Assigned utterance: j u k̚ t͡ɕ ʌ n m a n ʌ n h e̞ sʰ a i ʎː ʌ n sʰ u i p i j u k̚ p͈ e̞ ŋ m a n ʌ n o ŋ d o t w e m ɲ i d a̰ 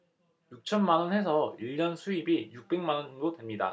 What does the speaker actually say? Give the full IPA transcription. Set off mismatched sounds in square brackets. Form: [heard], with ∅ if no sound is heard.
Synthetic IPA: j u k̚ [t͡ɕʰ] ʌ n m a n ʌ n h e̞ sʰ [ʌ] i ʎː ʌ n sʰ u i [b] i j u k̚ p͈ e̞ ŋ m a n ʌ n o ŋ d o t w e m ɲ i d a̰